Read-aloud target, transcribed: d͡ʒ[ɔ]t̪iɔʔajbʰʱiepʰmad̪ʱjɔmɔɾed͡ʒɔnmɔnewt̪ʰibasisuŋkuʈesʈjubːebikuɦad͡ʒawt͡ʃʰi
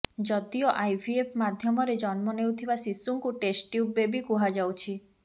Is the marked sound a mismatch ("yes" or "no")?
no